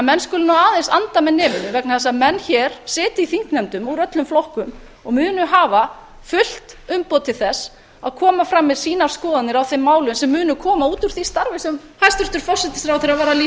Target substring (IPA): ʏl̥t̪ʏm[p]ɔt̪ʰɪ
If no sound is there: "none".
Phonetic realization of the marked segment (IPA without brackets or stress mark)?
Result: p